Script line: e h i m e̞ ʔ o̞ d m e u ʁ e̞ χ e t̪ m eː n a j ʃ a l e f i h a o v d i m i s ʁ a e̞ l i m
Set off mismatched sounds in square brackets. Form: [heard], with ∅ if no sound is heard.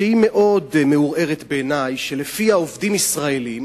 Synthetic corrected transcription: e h i m e̞ ʔ o̞ d m e u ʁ e̞ [ʁ] e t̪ [b] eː n a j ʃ [e] l e f i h a o v d i m i s ʁ a e̞ l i m